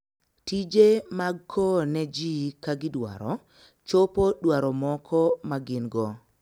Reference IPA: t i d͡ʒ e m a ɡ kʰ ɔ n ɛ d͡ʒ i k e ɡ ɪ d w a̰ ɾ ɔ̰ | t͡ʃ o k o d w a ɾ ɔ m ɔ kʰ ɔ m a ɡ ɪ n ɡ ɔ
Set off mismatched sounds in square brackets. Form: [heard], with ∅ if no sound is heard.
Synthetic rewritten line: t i d͡ʒ e m a ɡ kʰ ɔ n ɛ d͡ʒ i k [a] ɡ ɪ d w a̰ ɾ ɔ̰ | t͡ʃ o [p] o d w a ɾ ɔ m ɔ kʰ ɔ m a ɡ ɪ n ɡ ɔ

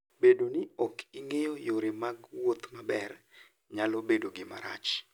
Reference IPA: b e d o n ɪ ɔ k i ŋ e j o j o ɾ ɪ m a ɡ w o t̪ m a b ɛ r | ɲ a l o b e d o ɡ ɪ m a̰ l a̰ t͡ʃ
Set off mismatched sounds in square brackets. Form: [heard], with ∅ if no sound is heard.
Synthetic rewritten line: b e d o n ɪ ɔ k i ŋ e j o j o ɾ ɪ m a ɡ w o t̪ m a b ɛ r | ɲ a l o b e d o ɡ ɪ m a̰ [ɾ] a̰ t͡ʃ

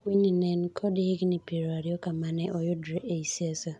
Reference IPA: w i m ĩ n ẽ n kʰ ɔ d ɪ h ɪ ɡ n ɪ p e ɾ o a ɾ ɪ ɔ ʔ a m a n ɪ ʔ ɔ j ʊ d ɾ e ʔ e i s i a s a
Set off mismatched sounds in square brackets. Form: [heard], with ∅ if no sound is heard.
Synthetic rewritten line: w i [ɲ] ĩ n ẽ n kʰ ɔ d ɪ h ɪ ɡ n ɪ p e ɾ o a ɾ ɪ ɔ [k] a m a n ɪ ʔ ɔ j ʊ d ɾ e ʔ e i s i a s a

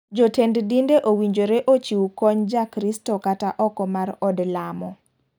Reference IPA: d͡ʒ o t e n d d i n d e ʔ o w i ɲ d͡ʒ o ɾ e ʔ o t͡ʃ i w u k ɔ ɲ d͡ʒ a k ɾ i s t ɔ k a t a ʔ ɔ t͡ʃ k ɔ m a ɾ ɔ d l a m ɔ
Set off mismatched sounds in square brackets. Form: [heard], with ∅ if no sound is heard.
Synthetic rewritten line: d͡ʒ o t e n d d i n d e ʔ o w i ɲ d͡ʒ o ɾ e ʔ o t͡ʃ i w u k ɔ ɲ d͡ʒ a k ɾ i s t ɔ k a t a ʔ ɔ [∅] k ɔ m a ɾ ɔ d l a m ɔ

